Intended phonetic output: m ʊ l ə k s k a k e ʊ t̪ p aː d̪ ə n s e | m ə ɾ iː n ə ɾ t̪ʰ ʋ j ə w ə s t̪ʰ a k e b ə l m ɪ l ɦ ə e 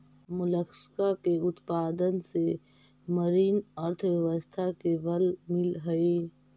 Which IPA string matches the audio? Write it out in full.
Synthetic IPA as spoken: m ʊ l ə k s k a k e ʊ t̪ p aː d̪ ə n s e | m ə ɾ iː n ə ɾ t̪ʰ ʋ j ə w ə s t̪ʰ a k e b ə l m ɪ l ɦ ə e